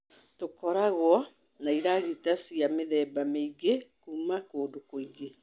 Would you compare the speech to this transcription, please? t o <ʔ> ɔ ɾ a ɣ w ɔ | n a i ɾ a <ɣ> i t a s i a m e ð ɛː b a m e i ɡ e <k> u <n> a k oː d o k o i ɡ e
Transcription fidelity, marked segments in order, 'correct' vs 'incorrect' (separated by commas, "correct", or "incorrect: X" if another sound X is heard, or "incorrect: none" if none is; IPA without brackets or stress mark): incorrect: k, correct, correct, incorrect: m